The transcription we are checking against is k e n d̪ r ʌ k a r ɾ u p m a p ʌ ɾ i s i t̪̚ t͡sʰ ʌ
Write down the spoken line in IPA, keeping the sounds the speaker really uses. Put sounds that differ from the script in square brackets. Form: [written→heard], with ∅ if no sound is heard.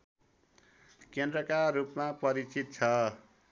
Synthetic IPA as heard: k e n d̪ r ʌ k a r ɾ u p m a p ʌ ɾ i [s→t͡s] i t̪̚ t͡sʰ ʌ